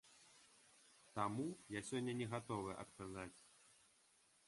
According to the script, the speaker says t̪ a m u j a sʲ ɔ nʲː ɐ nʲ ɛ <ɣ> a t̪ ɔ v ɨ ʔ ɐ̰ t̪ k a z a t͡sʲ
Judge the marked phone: correct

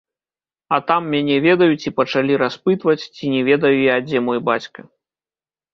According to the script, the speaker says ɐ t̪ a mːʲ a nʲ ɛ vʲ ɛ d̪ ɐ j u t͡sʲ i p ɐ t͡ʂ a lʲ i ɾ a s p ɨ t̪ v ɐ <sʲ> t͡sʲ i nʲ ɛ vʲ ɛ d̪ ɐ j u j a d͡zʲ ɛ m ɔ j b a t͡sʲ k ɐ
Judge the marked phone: incorrect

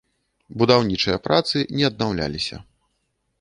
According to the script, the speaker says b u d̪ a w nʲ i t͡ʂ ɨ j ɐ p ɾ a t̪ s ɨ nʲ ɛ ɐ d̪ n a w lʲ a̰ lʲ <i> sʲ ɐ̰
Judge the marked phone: correct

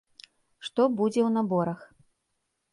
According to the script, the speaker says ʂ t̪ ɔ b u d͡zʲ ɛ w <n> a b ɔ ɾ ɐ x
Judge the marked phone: correct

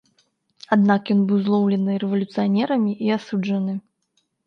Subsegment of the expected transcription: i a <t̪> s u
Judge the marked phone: incorrect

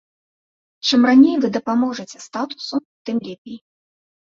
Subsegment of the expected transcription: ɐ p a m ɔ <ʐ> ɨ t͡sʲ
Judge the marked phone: correct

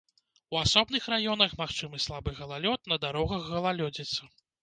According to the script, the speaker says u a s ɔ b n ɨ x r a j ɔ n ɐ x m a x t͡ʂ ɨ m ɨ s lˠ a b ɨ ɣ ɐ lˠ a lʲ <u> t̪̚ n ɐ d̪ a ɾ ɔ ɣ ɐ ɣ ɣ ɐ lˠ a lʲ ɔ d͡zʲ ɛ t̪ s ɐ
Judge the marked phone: incorrect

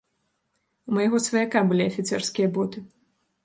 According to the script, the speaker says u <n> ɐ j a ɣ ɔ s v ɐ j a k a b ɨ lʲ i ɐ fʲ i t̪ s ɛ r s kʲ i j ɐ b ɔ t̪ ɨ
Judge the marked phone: incorrect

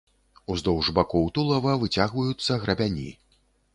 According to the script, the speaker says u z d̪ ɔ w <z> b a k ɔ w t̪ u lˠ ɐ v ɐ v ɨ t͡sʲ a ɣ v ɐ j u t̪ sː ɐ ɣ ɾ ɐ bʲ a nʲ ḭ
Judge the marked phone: incorrect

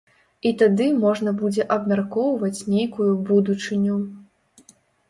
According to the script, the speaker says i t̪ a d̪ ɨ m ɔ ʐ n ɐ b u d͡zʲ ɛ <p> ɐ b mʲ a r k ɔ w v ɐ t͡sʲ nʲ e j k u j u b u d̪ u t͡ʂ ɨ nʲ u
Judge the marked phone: incorrect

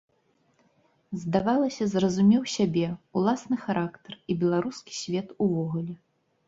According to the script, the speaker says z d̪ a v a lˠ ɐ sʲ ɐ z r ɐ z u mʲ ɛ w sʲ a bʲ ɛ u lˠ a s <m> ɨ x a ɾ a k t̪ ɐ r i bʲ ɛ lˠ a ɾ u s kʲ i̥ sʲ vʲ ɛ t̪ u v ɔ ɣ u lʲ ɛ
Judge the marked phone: incorrect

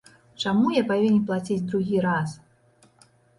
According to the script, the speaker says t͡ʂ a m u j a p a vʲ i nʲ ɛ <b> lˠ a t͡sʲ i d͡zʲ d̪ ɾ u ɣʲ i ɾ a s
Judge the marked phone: incorrect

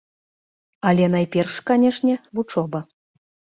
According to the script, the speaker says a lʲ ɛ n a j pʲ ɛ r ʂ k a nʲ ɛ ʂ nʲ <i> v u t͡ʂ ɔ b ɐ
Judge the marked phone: incorrect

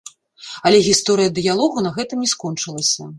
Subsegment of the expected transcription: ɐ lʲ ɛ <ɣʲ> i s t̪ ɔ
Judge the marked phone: correct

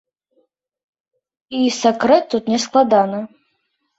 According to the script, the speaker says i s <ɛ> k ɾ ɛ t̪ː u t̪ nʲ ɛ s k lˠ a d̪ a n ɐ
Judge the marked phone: incorrect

